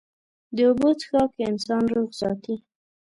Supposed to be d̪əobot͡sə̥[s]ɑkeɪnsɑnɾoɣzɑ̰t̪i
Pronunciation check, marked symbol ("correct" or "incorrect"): incorrect